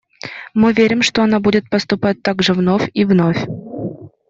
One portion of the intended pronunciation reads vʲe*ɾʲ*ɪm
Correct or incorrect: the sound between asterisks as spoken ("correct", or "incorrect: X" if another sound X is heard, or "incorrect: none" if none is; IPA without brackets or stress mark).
correct